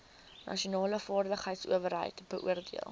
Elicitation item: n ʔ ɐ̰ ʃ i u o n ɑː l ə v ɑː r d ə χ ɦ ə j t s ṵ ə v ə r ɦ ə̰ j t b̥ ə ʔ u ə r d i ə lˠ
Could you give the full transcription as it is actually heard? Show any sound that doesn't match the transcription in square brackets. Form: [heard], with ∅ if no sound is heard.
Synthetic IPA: n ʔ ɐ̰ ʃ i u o n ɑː l ə [f] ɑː r d ə χ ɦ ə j t s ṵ ə v ə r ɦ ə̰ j t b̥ ə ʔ u ə r d i ə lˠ